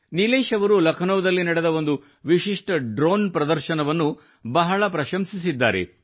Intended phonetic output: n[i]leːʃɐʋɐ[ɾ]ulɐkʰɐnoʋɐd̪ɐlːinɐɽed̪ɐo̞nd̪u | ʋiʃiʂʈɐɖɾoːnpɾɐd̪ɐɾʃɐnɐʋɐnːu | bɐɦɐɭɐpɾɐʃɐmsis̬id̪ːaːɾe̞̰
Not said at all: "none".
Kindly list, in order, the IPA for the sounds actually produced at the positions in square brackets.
i, ɾ

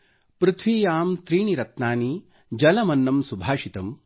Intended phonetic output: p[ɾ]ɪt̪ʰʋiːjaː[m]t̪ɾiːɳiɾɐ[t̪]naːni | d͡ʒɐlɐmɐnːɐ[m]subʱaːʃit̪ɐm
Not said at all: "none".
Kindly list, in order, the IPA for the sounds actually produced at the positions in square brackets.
ɾ, m, t̪, m

